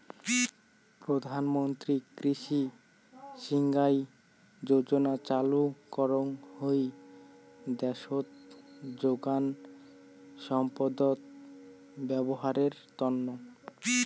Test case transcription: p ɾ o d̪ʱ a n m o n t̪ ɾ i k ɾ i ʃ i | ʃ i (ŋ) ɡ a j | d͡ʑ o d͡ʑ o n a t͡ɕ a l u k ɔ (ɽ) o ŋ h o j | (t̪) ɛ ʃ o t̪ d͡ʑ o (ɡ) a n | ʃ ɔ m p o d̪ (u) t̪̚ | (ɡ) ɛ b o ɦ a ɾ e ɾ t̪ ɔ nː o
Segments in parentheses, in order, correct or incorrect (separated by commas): correct, incorrect, incorrect, correct, incorrect, incorrect